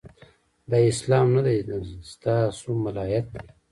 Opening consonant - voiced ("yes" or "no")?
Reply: yes